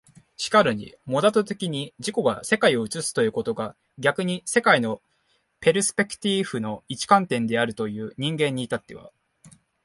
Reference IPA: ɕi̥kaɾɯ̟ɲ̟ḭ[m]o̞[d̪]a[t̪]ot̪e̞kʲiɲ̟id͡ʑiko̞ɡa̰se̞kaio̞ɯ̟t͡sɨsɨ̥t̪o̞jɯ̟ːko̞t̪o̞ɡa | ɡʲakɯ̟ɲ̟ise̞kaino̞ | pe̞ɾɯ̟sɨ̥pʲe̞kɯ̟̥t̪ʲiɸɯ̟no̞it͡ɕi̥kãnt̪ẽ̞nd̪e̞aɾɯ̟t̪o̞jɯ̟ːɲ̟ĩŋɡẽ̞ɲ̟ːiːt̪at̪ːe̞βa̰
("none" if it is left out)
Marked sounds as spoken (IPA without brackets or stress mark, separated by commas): m, d̪, t̪